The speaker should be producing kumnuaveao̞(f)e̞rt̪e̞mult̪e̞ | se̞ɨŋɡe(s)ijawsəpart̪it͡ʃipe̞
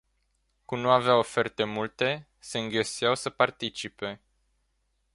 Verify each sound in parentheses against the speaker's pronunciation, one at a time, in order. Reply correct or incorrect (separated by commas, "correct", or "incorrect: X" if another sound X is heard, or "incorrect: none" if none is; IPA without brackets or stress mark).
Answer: correct, correct